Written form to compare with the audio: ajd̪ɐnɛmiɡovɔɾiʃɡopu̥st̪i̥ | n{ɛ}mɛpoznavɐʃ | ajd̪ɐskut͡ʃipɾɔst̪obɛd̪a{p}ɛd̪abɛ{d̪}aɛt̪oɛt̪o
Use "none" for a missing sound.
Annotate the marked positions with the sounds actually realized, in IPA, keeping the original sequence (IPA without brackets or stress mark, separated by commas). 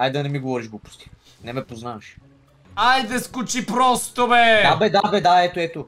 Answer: ɛ, b, d̪